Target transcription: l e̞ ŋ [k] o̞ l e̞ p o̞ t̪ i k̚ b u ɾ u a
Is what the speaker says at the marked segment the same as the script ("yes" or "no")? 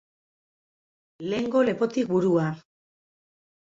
no